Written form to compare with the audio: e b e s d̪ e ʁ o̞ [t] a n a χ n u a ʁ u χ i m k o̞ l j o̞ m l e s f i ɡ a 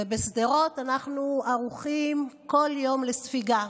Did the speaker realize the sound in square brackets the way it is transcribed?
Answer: yes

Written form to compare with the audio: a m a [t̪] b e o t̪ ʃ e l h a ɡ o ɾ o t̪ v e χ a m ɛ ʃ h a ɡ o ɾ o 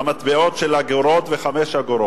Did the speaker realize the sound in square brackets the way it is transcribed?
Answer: yes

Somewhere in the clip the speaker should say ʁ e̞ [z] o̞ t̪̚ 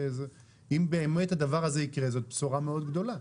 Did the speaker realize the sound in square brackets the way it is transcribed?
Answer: yes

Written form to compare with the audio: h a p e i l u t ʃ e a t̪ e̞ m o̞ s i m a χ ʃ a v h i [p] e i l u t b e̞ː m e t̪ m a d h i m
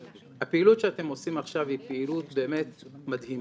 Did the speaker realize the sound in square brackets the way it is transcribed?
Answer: yes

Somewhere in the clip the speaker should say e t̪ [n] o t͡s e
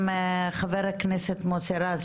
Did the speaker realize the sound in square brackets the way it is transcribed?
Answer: no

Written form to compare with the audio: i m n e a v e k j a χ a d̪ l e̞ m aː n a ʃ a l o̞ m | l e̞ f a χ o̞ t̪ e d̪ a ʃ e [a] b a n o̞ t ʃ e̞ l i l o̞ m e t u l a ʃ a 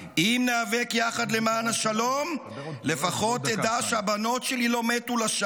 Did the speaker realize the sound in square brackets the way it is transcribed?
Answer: yes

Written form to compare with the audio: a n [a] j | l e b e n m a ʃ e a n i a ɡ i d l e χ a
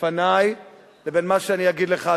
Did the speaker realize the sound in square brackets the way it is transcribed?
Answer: yes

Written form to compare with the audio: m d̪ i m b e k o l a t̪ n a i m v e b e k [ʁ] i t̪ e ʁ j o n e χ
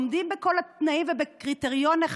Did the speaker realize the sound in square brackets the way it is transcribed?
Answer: yes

